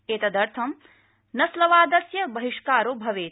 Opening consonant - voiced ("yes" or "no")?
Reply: no